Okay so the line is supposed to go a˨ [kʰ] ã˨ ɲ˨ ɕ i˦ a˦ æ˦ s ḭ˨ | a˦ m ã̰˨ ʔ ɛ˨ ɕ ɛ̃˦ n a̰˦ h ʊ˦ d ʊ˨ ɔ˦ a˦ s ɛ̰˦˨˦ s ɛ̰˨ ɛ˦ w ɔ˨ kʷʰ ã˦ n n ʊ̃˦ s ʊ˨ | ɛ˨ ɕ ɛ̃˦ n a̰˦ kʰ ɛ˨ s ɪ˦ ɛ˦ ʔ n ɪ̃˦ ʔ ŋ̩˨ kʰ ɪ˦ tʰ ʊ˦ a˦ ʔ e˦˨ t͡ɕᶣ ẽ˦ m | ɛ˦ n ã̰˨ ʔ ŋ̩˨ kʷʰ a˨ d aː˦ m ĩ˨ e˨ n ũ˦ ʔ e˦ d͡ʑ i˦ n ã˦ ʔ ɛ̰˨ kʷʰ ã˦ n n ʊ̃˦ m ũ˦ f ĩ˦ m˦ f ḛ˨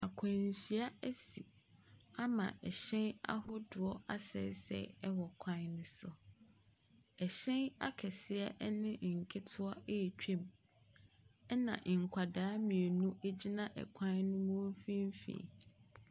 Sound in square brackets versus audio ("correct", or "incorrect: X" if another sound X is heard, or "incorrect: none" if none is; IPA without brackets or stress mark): correct